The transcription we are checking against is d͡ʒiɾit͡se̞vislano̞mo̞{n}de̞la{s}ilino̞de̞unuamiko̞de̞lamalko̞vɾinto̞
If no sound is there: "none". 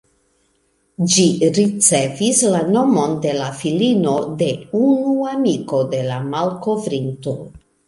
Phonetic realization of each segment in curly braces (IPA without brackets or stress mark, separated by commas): n, f